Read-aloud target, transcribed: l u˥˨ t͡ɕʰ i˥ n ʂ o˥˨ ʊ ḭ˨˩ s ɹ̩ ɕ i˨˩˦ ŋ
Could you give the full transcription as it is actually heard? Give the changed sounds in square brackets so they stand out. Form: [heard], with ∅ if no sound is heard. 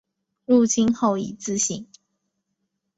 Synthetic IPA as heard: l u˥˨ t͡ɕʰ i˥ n [x] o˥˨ ʊ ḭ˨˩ [t͡s] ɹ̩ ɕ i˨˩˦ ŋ

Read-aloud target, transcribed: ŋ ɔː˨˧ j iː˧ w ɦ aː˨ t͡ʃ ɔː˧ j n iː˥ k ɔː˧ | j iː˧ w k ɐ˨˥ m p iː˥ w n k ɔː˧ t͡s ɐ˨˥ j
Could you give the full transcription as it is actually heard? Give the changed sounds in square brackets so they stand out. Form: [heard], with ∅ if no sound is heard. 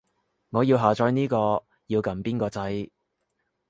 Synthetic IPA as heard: ŋ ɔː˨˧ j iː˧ w ɦ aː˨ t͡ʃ ɔː˧ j n iː˥ k ɔː˧ | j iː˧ w k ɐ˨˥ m p iː˥ [∅] n k ɔː˧ t͡s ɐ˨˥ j

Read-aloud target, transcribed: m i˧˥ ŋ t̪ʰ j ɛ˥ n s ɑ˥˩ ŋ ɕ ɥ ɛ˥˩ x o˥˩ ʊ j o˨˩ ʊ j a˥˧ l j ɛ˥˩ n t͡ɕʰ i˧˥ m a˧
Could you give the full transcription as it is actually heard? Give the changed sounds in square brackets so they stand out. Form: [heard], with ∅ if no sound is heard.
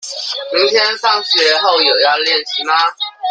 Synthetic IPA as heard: m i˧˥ ŋ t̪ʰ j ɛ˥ n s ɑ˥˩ ŋ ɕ ɥ [ɛ˧˥] x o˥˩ ʊ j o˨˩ ʊ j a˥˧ l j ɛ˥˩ n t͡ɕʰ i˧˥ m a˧

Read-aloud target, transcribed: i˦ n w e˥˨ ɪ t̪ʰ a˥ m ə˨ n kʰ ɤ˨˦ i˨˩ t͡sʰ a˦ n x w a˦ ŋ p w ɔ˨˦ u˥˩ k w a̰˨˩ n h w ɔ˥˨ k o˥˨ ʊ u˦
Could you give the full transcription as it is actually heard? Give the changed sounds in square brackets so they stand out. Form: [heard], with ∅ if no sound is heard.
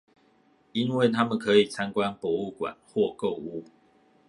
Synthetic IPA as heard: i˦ n w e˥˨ ɪ t̪ʰ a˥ m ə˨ n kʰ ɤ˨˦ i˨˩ t͡sʰ a˦ n [k] w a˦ [n] p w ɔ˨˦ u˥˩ k w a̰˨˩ n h w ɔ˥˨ k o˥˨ ʊ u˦

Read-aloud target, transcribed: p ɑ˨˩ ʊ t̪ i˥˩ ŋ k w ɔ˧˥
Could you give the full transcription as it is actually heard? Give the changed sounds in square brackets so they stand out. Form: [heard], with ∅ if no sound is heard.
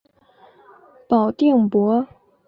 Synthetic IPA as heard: p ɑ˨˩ ʊ t̪ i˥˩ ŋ [p] w ɔ˧˥

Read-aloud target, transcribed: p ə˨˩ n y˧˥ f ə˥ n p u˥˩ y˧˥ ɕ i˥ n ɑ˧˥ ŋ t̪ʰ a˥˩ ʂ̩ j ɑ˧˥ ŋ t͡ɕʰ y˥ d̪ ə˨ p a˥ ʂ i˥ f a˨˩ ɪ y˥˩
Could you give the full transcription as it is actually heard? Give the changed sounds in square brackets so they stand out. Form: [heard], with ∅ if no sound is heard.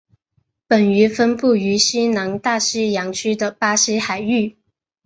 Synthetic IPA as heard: p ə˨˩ n y˧˥ f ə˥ n p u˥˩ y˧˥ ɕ i˥ n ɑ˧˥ ŋ [t̪] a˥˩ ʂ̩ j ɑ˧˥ ŋ t͡ɕʰ y˥ d̪ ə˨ p a˥ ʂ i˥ [x] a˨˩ ɪ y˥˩

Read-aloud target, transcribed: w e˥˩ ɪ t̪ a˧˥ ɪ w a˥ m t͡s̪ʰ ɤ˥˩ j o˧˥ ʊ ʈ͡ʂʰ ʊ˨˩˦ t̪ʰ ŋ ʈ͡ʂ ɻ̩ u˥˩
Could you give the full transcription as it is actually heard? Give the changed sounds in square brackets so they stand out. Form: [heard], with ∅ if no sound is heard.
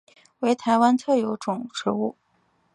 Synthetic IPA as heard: w [e˧˥] ɪ [t̪ʰ] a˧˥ ɪ w a˥ [n] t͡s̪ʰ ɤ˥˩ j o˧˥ ʊ [ʈ͡ʂ] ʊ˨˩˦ [∅] ŋ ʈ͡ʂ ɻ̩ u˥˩

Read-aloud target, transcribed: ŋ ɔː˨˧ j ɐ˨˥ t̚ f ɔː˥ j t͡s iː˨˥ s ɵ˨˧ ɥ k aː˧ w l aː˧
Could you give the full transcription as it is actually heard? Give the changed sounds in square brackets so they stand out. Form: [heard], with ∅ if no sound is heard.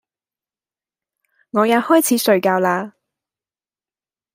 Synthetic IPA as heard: ŋ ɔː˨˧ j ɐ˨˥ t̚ [h] ɔː˥ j [t͡sʰ] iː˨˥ s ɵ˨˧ ɥ k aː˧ w l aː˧

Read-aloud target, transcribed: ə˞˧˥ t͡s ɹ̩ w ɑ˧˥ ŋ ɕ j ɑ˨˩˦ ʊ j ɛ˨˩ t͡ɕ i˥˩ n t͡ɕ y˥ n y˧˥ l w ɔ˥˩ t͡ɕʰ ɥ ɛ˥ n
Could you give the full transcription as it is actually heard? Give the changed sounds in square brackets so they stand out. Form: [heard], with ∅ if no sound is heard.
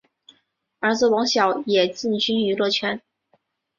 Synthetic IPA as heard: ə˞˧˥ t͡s ɹ̩ w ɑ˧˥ ŋ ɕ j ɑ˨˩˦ ʊ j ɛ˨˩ t͡ɕ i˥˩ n t͡ɕ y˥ n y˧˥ l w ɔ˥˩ t͡ɕʰ ɥ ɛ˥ n

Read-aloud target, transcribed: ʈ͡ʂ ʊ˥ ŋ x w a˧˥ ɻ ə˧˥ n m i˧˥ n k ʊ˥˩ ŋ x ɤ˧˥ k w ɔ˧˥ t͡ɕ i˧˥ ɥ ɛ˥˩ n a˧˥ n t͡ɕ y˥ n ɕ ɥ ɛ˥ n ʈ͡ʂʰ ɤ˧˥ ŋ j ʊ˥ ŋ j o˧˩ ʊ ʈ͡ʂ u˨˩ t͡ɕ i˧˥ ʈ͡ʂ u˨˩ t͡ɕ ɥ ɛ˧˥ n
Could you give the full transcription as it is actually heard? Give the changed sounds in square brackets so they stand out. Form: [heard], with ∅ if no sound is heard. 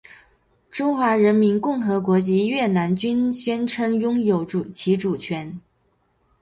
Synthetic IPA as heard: ʈ͡ʂ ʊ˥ ŋ x w a˧˥ ɻ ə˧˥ n m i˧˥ n k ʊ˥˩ ŋ x ɤ˧˥ k w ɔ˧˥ t͡ɕ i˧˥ ɥ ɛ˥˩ n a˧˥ n t͡ɕ y˥ n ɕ ɥ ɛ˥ n ʈ͡ʂʰ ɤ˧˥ ŋ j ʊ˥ ŋ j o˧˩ ʊ ʈ͡ʂ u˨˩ [t͡ɕʰ] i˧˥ ʈ͡ʂ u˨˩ [t͡ɕʰ] ɥ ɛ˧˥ n

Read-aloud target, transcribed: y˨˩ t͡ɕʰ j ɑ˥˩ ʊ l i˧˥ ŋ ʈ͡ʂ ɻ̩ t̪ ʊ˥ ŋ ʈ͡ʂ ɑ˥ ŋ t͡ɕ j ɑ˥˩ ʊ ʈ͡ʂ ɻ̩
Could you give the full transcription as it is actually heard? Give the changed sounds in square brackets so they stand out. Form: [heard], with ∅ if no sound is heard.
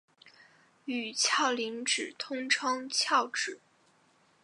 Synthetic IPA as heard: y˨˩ t͡ɕʰ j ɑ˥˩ ʊ l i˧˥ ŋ ʈ͡ʂ ɻ̩ [t̪ʰ] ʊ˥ ŋ [ʈ͡ʂʰ] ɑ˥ ŋ [t͡ɕʰ] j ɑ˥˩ ʊ ʈ͡ʂ ɻ̩

